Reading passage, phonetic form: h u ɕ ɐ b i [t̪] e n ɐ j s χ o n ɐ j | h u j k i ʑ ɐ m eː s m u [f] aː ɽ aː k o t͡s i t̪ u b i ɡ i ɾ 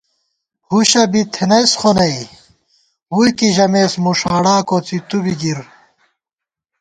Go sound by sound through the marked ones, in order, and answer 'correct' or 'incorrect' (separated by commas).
incorrect, incorrect